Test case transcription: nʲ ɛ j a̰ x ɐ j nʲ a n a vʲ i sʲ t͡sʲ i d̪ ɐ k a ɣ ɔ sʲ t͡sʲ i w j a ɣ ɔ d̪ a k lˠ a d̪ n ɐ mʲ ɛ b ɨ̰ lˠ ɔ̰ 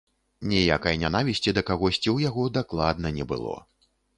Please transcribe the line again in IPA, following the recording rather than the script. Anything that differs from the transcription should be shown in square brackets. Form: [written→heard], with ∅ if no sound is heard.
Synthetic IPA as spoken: nʲ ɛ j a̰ [x→k] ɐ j nʲ a n a vʲ i sʲ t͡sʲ i d̪ ɐ k a ɣ ɔ sʲ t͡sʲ i w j a ɣ ɔ d̪ a k lˠ a d̪ n ɐ [mʲ→nʲ] ɛ b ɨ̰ lˠ ɔ̰